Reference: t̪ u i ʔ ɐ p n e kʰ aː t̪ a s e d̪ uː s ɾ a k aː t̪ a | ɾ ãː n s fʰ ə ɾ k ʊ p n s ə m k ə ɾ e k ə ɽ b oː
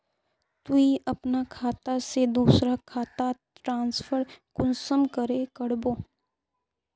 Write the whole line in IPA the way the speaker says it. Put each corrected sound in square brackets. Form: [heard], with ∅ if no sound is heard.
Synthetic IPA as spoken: t̪ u i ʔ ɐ p n [a] kʰ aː t̪ a s e d̪ uː s ɾ a [kʰ] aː t̪ a | ɾ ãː n s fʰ ə ɾ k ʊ [∅] n s ə m k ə ɾ e k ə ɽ b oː